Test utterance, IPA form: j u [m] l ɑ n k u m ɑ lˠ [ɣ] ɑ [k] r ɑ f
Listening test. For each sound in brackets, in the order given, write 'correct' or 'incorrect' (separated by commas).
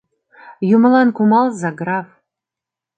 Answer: correct, incorrect, incorrect